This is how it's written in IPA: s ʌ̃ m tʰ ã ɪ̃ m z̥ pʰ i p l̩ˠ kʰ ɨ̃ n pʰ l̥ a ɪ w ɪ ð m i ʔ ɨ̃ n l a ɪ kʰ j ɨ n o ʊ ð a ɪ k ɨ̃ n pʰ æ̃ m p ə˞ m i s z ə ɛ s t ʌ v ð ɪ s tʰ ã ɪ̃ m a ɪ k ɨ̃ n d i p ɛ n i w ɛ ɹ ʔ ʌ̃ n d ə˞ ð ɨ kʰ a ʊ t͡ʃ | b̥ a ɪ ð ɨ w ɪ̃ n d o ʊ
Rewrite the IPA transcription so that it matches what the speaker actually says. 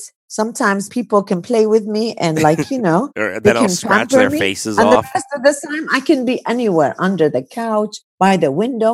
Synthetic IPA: s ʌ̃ m tʰ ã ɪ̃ m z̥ pʰ i p l̩ˠ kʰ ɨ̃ n pʰ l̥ e ɪ w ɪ ð m i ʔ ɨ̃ n l a ɪ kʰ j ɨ n o ʊ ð e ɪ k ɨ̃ n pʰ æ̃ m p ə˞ m i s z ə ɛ s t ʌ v ð ɪ s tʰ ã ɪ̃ m a ɪ k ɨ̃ n b i ʔ ɛ n i w ɛ ɹ ʔ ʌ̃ n d ə˞ ð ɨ kʰ a ʊ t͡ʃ | b̥ a ɪ ð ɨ w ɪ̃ n d o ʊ